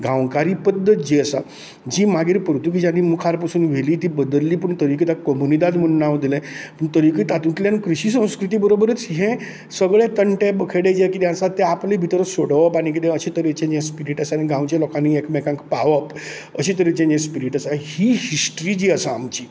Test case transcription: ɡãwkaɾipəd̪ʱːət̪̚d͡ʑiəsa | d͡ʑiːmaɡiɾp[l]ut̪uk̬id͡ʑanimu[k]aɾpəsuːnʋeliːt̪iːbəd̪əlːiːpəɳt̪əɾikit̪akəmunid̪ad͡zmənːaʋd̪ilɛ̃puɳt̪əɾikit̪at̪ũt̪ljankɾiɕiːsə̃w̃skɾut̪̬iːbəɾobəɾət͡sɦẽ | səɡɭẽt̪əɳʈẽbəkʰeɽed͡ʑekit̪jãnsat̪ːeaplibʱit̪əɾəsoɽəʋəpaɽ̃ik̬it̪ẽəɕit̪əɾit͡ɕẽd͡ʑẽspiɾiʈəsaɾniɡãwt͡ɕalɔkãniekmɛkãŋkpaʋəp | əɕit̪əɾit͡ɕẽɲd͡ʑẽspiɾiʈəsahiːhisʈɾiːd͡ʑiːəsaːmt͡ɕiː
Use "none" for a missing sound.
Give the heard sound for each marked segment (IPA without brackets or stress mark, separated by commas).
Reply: ɾ, kʰ